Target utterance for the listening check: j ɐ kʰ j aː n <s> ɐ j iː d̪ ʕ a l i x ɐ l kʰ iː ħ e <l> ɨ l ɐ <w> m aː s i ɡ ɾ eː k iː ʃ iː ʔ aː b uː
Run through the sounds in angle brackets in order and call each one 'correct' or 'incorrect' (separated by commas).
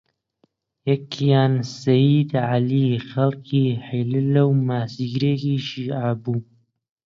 correct, correct, correct